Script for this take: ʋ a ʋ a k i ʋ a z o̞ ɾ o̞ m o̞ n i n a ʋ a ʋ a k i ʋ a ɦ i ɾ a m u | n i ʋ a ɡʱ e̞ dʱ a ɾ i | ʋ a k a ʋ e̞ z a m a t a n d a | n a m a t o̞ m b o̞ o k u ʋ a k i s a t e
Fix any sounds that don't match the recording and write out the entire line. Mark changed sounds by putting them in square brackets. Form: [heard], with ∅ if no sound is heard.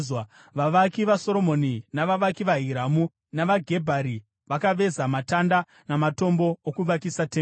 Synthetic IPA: ʋ a ʋ a k i ʋ a [s] o̞ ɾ o̞ m o̞ n i n a ʋ a ʋ a k i ʋ a ɦ i ɾ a m u | n [a] ʋ a ɡʱ e̞ [bʱ] a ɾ i | ʋ a k a ʋ e̞ z a m a t a n d a | n a m a t o̞ m b o̞ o k u ʋ a k i s a t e